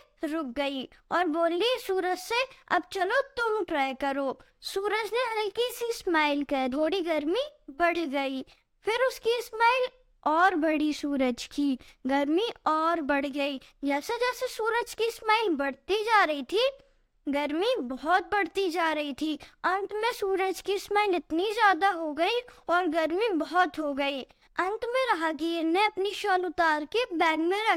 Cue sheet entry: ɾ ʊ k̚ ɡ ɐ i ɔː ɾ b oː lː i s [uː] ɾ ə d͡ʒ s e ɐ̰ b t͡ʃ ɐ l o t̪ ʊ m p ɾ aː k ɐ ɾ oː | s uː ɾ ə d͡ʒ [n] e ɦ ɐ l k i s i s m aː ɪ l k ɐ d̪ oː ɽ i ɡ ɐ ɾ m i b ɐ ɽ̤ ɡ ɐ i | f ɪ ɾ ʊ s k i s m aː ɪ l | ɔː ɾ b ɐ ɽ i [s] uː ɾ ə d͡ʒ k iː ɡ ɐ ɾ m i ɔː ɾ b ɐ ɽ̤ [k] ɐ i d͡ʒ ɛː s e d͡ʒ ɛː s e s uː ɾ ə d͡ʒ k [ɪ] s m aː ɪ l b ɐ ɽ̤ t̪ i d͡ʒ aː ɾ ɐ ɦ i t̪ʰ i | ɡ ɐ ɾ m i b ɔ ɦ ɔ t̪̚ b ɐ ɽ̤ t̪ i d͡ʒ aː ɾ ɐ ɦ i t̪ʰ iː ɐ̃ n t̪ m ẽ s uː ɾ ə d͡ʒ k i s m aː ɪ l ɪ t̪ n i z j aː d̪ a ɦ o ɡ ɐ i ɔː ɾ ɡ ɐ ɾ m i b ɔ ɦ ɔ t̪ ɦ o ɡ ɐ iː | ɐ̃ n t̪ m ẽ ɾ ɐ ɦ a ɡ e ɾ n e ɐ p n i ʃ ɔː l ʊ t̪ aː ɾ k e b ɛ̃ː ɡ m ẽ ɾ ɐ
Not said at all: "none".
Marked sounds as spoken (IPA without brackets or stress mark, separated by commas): uː, n, s, ɡ, i